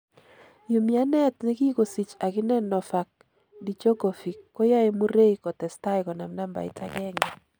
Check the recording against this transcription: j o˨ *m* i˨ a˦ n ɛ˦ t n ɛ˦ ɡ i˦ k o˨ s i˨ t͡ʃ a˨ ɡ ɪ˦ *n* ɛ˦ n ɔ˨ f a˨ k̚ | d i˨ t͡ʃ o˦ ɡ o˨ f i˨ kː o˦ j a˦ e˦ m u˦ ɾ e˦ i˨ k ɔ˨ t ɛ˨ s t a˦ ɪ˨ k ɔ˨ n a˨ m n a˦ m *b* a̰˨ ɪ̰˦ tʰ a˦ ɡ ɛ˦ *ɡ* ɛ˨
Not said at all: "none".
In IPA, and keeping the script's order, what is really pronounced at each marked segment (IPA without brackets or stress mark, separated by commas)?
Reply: m, n, b, ŋ